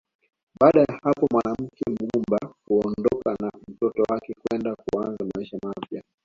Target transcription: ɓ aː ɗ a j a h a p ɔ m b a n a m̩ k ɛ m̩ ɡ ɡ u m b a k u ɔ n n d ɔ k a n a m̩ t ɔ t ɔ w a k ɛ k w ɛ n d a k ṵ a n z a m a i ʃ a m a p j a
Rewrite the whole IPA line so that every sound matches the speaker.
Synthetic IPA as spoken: ɓ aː ɗ a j a h a p ɔ m w a n a m̩ k ɛ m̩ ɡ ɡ u m b a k u ɔ n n d ɔ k a n a m̩ t ɔ t ɔ w a k ɛ k w ɛ n d a k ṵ a n z a m a i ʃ a m a p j a

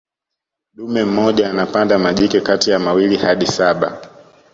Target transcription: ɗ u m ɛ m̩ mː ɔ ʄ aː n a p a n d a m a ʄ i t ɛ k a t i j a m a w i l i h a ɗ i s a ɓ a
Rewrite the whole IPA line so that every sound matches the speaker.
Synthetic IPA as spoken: ɗ u m ɛ m̩ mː ɔ ʄ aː n a p a n d a m a ʄ i k ɛ k a t i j a m a w i l i h a ɗ i s a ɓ a

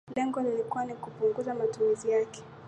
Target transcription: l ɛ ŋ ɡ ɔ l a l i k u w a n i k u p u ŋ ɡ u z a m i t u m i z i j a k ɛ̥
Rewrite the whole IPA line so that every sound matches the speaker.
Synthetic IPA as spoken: l ɛ ŋ ɡ ɔ l i l i k u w a n i k u p u ŋ ɡ u z a m a t u m i z i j a k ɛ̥

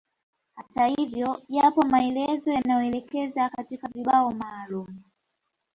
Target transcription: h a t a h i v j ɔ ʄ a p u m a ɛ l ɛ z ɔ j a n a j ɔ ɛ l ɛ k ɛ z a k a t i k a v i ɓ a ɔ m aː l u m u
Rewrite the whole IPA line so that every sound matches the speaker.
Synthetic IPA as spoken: h a t a h i v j ɔ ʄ a p ɔ m a ɛ l ɛ z ɔ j a n a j ɔ ɛ l ɛ k ɛ z a k a t i k a v i ɓ a ɔ m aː l u m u

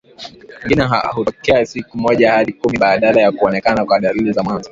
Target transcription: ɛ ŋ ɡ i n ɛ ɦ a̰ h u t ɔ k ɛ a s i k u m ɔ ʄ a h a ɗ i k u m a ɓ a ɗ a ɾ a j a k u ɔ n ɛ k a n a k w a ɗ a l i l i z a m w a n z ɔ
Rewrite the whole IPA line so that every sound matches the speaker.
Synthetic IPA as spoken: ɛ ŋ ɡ i n ɛ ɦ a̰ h u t ɔ k ɛ a s i k u m ɔ ʄ a h a ɗ i k u m i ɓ a ɗ a l a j a k u ɔ n ɛ k a n a k w a ɗ a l i l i z a m w a n z ɔ

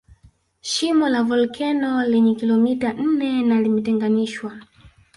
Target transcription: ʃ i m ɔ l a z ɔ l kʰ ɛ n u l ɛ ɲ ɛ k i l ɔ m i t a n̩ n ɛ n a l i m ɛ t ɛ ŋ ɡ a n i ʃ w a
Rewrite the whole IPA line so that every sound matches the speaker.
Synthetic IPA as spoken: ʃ i m ɔ l a v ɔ l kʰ ɛ n ɔ l ɛ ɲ ɛ k i l ɔ m i t a n̩ n ɛ n a l i m ɛ t ɛ ŋ ɡ a n i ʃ w a

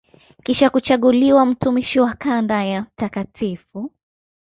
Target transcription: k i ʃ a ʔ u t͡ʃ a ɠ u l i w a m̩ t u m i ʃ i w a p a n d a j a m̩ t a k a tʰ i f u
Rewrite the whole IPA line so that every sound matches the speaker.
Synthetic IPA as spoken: k i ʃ a k u t͡ʃ a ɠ u l i w a m̩ t u m i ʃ i w a k a n d a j a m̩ t a k a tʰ i f u

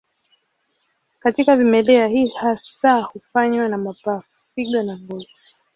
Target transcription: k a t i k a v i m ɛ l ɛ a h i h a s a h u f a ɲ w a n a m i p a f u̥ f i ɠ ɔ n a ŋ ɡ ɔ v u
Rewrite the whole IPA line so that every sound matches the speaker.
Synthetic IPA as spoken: k a t i k a v i m ɛ l ɛ a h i h a s a h u f a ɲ w a n a m a p a f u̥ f i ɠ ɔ n a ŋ ɡ ɔ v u

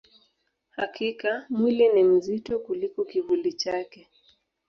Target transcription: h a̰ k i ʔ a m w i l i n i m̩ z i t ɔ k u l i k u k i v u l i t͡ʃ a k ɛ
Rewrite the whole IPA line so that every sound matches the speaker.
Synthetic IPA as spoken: h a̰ k i k a m w i l i n i m̩ z i t ɔ k u l i k ɔ k i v u l i t͡ʃ a k ɛ

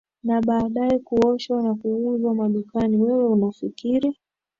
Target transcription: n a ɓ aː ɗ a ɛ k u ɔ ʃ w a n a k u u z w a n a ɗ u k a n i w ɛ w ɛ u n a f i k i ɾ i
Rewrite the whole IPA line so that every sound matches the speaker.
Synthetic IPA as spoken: n a ɓ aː ɗ a ɛ k u ɔ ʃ w a n a k u u z w a m a ɗ u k a n i w ɛ w ɛ u n a f i k i ɾ i

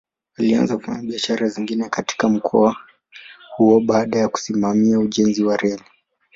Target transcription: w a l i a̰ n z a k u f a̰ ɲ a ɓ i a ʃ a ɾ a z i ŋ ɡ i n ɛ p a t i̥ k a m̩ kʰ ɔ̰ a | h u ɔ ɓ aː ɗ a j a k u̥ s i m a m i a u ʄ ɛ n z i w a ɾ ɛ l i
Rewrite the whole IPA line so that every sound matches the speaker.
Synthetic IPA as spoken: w a l i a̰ n z a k u f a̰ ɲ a ɓ i a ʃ a ɾ a z i ŋ ɡ i n ɛ k a t i̥ k a m̩ kʰ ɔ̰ a | h u ɔ ɓ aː ɗ a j a k u̥ s i m a m i a u ʄ ɛ n z i w a ɾ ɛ l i

